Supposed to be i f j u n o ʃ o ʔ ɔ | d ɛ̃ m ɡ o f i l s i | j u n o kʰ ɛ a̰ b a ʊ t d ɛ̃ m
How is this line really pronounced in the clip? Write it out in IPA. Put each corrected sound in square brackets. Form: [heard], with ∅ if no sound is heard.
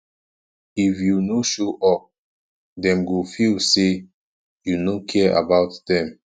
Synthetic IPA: i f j u n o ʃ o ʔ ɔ | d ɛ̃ m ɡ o f i l s [e] | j u n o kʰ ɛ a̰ b a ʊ t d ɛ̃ m